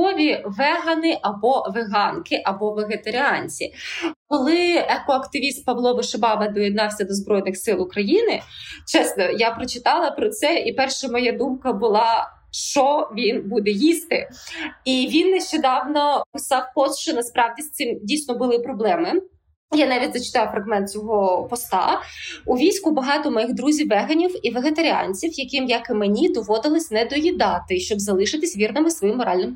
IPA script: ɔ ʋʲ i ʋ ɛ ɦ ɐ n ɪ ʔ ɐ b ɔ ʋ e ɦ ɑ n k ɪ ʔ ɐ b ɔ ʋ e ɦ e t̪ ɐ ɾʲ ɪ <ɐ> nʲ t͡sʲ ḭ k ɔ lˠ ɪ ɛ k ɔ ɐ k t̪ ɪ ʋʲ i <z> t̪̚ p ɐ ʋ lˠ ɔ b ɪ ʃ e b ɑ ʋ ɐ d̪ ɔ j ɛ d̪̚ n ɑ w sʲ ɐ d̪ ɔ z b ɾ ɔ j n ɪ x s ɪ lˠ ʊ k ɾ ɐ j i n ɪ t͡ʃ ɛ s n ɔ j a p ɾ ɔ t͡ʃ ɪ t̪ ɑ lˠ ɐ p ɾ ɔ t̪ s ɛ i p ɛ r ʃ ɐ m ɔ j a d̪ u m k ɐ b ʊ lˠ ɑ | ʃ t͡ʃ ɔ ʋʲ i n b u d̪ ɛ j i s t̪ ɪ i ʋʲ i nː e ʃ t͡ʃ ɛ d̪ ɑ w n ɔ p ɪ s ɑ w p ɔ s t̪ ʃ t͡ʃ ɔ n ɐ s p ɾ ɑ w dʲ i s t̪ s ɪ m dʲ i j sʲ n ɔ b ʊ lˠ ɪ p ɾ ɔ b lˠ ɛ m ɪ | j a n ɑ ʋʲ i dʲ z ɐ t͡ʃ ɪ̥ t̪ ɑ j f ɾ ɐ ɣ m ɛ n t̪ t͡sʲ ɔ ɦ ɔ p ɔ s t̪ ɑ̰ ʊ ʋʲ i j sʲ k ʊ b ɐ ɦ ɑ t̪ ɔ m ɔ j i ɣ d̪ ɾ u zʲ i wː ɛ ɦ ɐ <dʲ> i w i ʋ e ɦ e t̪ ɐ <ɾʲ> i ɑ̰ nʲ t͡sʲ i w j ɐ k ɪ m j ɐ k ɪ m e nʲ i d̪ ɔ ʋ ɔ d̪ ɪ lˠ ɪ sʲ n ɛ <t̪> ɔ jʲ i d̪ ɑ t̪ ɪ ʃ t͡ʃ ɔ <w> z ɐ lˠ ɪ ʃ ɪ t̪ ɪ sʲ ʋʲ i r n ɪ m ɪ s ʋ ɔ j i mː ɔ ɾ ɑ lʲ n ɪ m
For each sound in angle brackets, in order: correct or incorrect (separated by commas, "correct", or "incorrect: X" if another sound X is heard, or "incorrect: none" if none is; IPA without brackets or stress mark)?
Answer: incorrect: ɑ, incorrect: s, incorrect: nʲ, correct, incorrect: d̪, incorrect: b